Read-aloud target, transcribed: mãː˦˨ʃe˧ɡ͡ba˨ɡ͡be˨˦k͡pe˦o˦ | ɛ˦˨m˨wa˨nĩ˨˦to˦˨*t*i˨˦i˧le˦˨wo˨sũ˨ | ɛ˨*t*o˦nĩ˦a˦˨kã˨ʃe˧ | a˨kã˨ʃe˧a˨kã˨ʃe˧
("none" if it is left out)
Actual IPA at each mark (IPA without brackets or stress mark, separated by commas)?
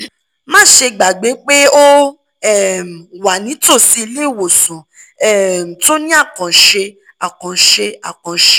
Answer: s, t